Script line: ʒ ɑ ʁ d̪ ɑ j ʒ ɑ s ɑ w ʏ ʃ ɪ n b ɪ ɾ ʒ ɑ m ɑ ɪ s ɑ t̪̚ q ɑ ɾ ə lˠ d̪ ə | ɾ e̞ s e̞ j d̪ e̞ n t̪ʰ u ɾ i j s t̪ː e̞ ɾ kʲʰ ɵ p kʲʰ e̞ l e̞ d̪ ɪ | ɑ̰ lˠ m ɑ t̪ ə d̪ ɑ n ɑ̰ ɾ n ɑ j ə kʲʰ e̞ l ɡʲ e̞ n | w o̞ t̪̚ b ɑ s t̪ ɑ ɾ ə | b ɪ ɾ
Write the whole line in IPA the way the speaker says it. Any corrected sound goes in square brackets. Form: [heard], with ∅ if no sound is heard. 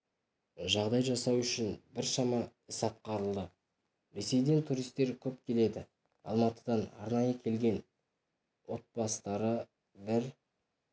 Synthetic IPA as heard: ʒ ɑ ʁ d̪ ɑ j ʒ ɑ s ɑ w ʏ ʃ ɪ n b ɪ ɾ [ʃ] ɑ m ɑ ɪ s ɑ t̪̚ q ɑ ɾ ə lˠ d̪ ə | ɾ e̞ s e̞ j d̪ e̞ n t̪ʰ u ɾ i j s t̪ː e̞ ɾ kʲʰ ɵ p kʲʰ e̞ l e̞ d̪ ɪ | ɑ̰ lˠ m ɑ t̪ ə d̪ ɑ n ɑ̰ ɾ n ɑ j ə kʲʰ e̞ l ɡʲ e̞ n | w o̞ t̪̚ b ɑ s t̪ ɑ ɾ ə | b ɪ ɾ